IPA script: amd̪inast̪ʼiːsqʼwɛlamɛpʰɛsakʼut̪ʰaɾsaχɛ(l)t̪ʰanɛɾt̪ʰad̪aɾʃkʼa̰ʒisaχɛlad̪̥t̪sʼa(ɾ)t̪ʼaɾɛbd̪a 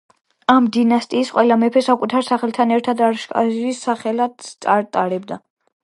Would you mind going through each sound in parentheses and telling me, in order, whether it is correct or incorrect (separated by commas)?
correct, correct